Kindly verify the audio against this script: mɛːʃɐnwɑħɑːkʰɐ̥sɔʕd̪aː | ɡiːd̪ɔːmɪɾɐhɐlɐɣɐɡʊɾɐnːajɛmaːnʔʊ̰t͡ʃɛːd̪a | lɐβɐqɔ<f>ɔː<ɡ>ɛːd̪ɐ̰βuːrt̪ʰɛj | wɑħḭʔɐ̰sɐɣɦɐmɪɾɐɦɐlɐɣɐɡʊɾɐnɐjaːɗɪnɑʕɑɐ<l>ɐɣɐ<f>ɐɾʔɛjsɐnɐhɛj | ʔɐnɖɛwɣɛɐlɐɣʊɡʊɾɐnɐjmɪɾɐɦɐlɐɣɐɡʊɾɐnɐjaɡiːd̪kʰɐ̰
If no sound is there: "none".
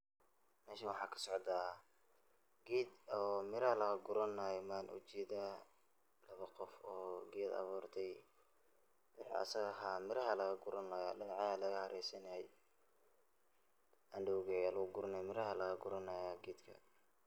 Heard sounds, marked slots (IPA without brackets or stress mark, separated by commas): f, ɡ, l, h